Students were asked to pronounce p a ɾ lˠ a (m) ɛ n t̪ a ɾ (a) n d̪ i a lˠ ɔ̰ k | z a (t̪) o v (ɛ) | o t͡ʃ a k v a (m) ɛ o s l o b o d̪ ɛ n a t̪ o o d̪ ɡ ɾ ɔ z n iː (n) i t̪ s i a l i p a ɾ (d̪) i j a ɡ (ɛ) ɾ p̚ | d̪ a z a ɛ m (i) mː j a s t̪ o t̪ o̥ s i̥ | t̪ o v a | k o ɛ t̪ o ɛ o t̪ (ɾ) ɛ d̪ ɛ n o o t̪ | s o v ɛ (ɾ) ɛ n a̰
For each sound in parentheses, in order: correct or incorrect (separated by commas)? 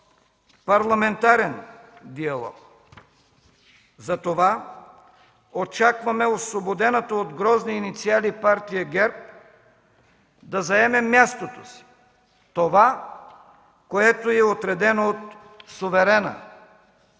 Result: correct, incorrect, correct, incorrect, correct, correct, incorrect, correct, incorrect, correct, correct